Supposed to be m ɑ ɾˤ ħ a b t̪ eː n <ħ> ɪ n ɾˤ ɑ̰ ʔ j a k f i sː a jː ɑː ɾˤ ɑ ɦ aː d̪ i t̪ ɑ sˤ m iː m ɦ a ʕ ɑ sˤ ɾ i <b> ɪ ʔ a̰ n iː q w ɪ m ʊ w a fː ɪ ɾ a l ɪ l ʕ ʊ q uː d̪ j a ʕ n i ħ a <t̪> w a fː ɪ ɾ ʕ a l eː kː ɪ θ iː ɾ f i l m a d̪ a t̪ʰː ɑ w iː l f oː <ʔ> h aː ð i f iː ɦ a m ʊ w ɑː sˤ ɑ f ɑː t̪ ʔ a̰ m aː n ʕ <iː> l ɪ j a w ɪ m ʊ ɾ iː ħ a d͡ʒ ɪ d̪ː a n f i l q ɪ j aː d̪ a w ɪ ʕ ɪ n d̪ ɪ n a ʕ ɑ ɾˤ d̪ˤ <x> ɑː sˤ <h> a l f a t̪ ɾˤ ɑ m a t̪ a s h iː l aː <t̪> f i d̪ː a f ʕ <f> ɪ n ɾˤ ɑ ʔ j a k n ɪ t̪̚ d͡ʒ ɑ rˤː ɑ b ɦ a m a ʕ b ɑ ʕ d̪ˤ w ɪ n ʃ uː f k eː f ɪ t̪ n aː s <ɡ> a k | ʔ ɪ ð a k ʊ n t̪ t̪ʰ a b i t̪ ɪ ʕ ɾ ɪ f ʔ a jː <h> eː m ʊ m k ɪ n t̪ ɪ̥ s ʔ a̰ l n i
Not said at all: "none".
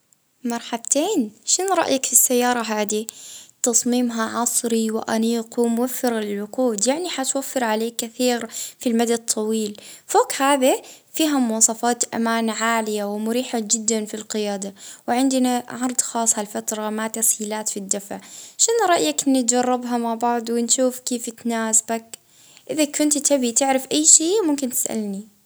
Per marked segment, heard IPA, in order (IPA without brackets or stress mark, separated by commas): ʃ, w, t̪, k, aː, x, h, t̪, ʃ, b, ʃ